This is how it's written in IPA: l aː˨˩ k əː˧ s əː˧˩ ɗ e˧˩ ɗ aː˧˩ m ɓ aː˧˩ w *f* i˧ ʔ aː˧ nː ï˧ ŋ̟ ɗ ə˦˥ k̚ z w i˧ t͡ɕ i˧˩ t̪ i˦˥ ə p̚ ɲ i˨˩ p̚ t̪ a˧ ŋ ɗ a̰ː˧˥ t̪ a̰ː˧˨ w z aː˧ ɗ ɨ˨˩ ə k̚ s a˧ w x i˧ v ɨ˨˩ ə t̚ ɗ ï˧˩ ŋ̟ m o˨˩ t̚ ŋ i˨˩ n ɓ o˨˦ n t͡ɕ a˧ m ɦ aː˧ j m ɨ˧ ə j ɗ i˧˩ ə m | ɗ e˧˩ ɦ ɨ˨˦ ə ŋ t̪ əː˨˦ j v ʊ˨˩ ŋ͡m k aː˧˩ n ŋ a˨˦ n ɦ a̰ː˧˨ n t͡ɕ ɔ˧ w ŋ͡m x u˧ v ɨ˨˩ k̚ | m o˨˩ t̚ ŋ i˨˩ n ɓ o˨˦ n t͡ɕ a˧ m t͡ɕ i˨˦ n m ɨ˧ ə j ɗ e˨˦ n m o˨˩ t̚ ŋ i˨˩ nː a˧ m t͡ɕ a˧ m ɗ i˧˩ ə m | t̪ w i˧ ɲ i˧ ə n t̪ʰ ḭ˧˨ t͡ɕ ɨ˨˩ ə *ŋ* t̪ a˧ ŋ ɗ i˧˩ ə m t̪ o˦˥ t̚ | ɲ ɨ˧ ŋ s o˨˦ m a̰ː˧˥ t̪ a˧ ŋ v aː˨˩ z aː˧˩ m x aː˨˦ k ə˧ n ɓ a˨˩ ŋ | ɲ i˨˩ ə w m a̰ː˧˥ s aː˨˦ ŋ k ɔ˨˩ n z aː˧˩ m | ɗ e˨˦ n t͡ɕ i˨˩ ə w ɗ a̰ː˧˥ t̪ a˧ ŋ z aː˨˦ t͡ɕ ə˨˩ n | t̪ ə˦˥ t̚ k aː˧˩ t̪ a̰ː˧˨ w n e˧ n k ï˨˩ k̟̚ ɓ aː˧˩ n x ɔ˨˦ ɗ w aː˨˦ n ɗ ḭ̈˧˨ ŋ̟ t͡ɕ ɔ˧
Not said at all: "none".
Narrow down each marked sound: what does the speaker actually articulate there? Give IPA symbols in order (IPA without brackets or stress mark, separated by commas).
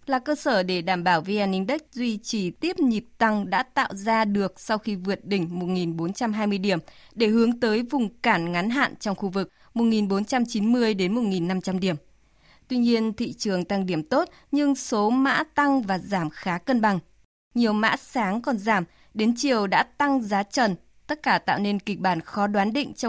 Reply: v, ŋ